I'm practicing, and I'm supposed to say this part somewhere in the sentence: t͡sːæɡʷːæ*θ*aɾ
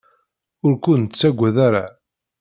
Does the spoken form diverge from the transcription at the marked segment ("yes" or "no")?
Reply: yes